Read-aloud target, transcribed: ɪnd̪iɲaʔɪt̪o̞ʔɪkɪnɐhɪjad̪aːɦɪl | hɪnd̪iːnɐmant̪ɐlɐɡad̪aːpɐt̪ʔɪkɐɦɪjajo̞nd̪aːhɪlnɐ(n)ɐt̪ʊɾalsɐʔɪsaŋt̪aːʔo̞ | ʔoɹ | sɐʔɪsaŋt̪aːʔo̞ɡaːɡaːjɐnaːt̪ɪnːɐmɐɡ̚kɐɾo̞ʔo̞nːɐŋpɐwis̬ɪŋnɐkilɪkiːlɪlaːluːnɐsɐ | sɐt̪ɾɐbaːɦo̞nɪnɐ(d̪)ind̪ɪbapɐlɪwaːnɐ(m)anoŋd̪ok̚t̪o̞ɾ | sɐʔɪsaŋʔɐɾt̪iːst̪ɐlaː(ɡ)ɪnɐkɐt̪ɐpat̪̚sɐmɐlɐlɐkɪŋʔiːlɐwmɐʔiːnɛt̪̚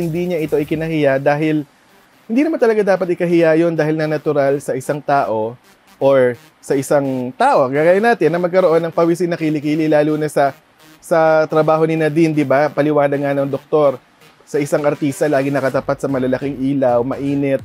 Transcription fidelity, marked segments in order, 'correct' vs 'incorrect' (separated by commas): correct, correct, incorrect, correct